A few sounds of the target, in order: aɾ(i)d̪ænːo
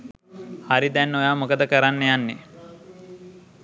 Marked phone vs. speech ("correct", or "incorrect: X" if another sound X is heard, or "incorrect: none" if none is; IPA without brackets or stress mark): correct